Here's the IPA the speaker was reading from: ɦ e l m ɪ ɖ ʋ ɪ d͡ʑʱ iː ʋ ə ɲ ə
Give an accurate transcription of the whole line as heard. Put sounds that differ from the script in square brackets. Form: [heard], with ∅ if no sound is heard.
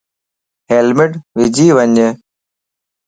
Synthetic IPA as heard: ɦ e l m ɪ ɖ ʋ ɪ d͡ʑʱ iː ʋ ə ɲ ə